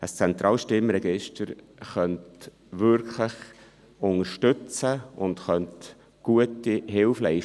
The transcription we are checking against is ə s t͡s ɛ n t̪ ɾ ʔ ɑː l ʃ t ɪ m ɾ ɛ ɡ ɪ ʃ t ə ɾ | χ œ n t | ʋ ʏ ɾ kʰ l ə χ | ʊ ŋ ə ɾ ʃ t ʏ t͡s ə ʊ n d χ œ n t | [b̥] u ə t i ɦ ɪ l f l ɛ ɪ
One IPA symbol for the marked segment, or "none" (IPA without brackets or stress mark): ɡ̥